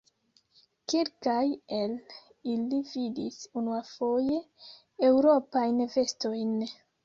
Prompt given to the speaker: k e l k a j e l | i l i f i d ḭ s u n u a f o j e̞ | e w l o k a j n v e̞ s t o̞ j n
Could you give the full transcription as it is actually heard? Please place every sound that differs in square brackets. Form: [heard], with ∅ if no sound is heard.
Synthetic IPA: k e l k a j e l | i l i [v] i d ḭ s u n u a f o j e̞ | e w [ɾ] o [p] a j n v e̞ s t o̞ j n